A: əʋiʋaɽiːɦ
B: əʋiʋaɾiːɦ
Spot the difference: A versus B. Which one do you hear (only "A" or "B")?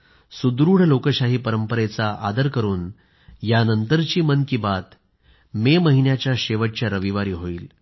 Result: B